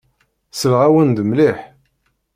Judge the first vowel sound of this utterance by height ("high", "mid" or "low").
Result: mid